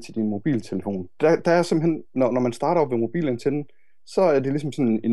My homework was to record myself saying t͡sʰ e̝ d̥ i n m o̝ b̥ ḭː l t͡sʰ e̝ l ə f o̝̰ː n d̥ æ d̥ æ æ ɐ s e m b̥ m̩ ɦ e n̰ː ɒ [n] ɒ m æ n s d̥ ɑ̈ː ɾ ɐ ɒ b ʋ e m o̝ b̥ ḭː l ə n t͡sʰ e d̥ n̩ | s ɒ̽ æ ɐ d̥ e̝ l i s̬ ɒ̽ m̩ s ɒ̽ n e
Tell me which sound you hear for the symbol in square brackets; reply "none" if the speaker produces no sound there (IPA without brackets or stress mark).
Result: n